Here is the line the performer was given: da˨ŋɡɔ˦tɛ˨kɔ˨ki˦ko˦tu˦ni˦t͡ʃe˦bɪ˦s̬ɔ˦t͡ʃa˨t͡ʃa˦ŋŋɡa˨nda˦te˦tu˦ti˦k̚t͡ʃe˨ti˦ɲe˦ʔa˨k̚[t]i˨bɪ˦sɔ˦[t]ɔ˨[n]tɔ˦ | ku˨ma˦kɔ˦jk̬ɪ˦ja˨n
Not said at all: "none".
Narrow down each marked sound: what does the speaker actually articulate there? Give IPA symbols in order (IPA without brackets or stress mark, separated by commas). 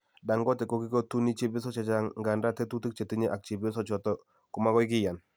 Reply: t͡ʃ, t͡ʃ, none